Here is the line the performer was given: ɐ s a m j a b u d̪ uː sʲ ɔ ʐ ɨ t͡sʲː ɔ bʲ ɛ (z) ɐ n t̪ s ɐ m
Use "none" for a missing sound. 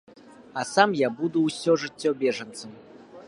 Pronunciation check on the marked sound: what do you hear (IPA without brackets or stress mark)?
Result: ʐ